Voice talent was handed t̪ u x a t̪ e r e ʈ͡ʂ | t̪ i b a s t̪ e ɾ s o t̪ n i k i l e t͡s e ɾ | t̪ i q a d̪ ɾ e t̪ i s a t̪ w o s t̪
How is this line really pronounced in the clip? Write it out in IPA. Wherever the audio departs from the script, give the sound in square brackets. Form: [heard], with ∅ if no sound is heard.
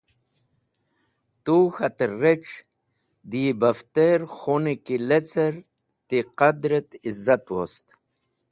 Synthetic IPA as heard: t̪ u x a t̪ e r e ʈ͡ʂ | [d̪] i b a [f] t̪ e ɾ [x] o [∅] n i k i l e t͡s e ɾ | t̪ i q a d̪ ɾ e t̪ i [z] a t̪ w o s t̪